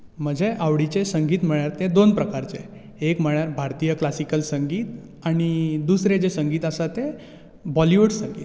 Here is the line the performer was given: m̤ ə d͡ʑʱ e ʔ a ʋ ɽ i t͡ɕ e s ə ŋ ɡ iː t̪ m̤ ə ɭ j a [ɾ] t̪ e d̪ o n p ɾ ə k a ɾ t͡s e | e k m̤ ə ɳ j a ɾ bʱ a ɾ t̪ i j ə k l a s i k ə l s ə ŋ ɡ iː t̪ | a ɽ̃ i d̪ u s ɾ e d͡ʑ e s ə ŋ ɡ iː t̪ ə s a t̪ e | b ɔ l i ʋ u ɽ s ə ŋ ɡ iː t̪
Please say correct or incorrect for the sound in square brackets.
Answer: correct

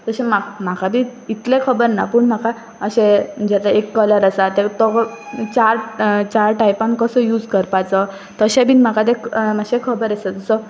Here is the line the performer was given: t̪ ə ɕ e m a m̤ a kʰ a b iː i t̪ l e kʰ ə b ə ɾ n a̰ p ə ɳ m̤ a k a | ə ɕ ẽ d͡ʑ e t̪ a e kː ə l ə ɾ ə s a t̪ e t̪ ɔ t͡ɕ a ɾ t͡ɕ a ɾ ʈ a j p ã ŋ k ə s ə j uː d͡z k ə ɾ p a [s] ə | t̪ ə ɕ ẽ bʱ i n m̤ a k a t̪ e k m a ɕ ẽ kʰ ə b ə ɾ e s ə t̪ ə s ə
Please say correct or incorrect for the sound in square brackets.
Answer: incorrect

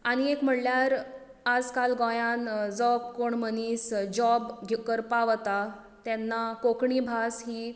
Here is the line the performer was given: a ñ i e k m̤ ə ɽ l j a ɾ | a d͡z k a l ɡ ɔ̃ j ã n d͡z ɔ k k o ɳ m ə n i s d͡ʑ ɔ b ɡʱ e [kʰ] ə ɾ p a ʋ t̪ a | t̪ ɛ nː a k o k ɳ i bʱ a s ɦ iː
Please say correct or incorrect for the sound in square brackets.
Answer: incorrect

